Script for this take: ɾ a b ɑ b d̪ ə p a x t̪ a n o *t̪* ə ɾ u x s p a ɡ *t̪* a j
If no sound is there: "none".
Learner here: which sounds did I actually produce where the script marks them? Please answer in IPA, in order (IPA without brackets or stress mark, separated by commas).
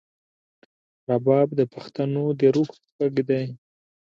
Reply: d̪, d̪